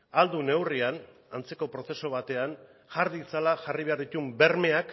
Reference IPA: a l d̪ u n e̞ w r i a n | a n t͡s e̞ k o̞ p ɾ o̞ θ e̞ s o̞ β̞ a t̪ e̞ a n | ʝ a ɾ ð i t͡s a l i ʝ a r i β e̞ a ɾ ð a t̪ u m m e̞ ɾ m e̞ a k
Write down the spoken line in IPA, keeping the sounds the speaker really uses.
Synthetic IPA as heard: a l d̪ u n e̞ w r i a n | a n t͡s e̞ k o̞ p ɾ o̞ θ e̞ s o̞ β̞ a t̪ e̞ a n | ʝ a ɾ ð i t͡s a l a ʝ a r i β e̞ a ɾ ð i t̪ u m b e̞ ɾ m e̞ a k